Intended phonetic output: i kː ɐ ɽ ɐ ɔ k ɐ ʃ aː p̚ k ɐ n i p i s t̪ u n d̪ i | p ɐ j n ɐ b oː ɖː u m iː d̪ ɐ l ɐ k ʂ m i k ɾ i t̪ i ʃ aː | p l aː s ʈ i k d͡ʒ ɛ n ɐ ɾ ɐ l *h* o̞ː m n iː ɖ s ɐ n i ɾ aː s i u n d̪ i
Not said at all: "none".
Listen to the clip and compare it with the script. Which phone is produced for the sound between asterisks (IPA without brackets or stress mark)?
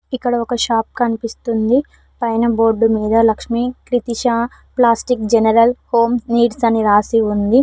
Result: h